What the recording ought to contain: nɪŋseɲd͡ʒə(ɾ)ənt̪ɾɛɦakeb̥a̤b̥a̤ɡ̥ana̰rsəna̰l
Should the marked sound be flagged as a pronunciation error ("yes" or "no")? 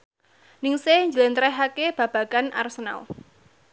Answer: yes